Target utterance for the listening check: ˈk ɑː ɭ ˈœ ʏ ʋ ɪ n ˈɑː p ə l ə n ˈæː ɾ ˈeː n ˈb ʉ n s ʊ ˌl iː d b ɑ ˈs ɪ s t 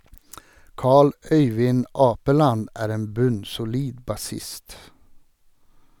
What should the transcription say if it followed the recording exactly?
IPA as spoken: ˈk ɑː ɭ ˈœ ʏ ʋ ɪ n ˈɑː p ə l ɑ n ˈæː ɾ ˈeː n ˈb ʉ n s ʊ ˌl iː d b ɑ ˈs ɪ s t